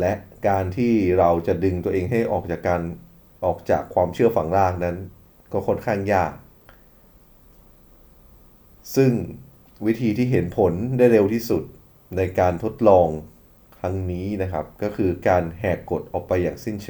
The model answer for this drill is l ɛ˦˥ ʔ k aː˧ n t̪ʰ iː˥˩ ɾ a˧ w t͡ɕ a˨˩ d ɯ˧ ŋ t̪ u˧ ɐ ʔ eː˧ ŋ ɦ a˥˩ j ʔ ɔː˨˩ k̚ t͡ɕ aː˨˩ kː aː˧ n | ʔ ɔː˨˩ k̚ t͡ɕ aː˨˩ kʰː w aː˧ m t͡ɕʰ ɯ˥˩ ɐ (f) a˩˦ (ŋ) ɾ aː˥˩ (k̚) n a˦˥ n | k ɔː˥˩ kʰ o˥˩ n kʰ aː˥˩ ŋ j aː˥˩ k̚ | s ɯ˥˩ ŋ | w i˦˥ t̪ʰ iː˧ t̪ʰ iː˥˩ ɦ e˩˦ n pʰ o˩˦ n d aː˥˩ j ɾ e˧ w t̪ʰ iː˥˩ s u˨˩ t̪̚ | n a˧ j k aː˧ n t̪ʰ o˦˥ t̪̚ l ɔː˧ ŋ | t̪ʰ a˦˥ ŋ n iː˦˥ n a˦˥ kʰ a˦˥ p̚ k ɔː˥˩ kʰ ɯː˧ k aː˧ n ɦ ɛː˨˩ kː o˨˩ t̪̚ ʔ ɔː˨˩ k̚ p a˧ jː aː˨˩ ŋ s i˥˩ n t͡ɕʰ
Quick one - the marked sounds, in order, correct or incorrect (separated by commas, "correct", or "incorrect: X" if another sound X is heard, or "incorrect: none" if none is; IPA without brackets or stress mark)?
correct, correct, correct